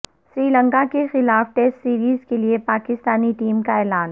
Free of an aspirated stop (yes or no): yes